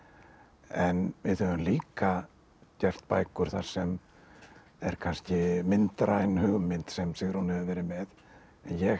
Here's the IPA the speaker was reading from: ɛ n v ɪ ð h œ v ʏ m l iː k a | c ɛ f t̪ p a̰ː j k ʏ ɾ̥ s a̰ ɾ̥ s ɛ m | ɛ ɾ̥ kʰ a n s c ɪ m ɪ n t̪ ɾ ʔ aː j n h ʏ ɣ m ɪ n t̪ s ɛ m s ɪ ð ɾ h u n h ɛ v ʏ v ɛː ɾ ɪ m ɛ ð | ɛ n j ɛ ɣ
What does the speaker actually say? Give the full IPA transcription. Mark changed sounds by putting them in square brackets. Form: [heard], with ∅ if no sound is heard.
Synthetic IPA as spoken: ɛ n v ɪ ð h œ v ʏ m l iː k a | c ɛ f t̪ p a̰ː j k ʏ ɾ̥ [θ] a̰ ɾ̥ s ɛ m | ɛ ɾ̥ kʰ a n s c ɪ m ɪ n t̪ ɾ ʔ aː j n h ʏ ɣ m ɪ n t̪ s ɛ m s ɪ [ɣ] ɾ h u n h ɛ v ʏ v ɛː ɾ ɪ m ɛ ð | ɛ n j ɛ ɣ